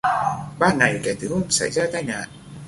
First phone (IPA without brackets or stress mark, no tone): ɓ